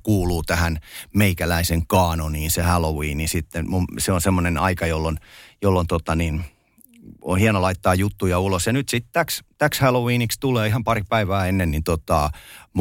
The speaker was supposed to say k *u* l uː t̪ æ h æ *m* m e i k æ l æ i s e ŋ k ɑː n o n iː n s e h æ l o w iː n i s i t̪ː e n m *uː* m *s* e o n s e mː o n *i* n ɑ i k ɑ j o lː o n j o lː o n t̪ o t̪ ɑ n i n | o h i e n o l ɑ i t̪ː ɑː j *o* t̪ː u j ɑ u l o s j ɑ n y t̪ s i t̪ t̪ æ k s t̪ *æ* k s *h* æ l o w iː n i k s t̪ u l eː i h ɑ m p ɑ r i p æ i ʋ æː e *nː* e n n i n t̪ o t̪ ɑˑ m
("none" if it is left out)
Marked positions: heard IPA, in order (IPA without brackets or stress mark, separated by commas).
uː, n, u, s, e, u, æ, h, nː